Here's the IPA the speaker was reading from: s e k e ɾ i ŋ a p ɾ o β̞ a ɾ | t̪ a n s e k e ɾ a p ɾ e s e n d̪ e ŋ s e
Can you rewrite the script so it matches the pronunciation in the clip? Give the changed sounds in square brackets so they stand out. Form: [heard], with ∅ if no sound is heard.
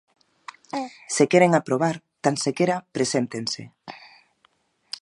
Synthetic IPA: s e k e ɾ [e] ŋ a p ɾ o β̞ a ɾ | t̪ a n s e k e ɾ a p ɾ e s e n [t̪] e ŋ s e